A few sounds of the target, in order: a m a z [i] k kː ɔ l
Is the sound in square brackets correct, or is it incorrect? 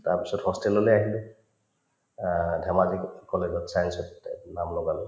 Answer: correct